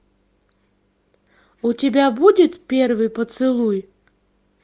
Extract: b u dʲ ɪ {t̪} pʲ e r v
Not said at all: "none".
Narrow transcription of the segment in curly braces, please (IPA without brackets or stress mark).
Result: t̪